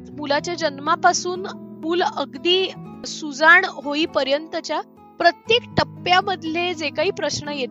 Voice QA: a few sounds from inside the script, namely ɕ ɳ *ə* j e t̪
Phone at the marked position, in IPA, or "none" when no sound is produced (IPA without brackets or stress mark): ə